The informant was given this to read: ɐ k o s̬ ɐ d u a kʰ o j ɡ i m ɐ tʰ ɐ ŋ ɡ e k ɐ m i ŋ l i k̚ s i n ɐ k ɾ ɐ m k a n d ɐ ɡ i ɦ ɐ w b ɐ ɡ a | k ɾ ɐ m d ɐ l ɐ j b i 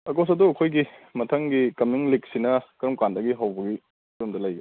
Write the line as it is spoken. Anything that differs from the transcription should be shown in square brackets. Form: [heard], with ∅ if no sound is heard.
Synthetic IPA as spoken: ɐ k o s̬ ɐ d u [ɐ] kʰ o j ɡ i m ɐ tʰ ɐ ŋ ɡ [i] k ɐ m i ŋ l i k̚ s i n ɐ k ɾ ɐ m k a n d ɐ ɡ i ɦ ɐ w b ɐ ɡ [i] | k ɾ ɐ m d ɐ l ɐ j [ɡ] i